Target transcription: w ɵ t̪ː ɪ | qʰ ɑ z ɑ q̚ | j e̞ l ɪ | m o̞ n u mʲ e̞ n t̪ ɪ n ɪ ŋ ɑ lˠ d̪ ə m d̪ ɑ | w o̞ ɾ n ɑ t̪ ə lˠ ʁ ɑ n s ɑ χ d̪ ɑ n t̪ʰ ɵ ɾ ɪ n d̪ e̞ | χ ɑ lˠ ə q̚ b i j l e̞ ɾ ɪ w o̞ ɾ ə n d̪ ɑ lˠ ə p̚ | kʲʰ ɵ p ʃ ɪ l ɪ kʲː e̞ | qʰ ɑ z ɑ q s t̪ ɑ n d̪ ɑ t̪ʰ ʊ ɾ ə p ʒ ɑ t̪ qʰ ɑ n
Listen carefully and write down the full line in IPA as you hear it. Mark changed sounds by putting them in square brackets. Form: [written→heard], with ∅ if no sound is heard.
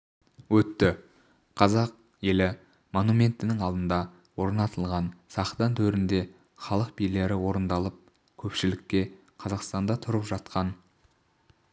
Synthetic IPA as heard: w ɵ t̪ː ɪ | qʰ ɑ z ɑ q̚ | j e̞ l ɪ | m o̞ n u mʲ e̞ n t̪ ɪ n ɪ ŋ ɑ lˠ d̪ ə [m→n] d̪ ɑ | w o̞ ɾ n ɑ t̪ ə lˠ ʁ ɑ n s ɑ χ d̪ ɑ n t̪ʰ ɵ ɾ ɪ n d̪ e̞ | χ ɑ lˠ ə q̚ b i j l e̞ ɾ ɪ w o̞ ɾ ə n d̪ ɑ lˠ ə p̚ | kʲʰ ɵ p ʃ ɪ l ɪ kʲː e̞ | qʰ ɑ z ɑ q s t̪ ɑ n d̪ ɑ t̪ʰ ʊ ɾ ə p ʒ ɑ t̪ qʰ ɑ n